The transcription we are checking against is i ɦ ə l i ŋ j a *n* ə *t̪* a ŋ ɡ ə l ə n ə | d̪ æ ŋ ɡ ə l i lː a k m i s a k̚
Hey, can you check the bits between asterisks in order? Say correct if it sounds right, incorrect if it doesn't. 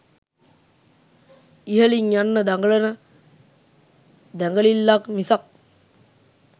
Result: incorrect: nː, incorrect: d̪

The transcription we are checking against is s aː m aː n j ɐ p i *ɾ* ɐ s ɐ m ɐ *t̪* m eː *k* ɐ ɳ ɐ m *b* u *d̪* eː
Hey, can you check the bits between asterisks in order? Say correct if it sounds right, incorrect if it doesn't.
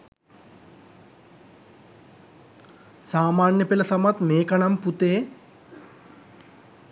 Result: incorrect: l, correct, correct, incorrect: p, incorrect: t̪

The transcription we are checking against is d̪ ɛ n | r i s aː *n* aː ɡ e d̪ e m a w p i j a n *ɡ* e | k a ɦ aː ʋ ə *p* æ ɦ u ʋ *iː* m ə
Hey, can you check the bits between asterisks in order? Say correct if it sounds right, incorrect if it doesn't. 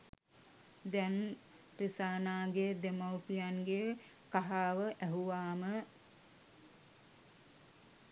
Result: correct, correct, incorrect: ʔ, incorrect: aː

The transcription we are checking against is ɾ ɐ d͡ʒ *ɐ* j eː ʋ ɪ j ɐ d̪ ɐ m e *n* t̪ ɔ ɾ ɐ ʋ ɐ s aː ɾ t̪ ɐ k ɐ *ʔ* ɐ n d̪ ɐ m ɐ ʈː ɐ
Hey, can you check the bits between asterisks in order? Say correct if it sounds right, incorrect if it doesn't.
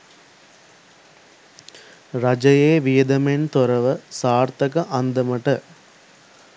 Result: correct, correct, correct

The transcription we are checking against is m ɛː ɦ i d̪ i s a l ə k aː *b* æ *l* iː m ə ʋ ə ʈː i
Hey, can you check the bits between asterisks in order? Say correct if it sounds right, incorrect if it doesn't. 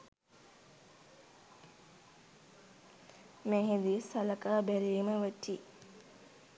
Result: correct, incorrect: ɾ

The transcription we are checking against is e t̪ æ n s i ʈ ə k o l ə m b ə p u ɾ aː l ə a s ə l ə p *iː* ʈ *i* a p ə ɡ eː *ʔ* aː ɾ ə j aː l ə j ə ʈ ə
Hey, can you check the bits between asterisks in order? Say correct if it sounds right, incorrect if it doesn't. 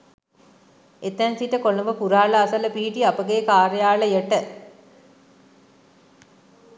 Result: correct, correct, incorrect: k

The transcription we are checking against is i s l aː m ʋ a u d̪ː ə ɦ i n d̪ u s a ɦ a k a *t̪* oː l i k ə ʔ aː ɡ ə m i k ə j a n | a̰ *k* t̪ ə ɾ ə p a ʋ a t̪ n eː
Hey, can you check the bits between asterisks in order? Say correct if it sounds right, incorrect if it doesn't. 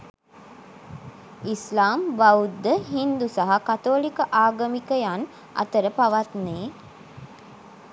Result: correct, incorrect: none

